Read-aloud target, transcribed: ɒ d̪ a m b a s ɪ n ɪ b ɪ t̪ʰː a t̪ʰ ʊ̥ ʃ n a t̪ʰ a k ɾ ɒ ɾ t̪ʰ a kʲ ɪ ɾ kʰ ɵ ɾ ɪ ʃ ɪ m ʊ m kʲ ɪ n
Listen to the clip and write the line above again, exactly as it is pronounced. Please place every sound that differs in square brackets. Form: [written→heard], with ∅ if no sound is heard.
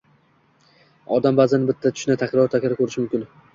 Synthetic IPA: ɒ d̪ a m b a [s→z] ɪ n ɪ b ɪ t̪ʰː a t̪ʰ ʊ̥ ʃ n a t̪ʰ a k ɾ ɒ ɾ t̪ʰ a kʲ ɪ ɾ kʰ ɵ ɾ ɪ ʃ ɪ m ʊ m kʲ ɪ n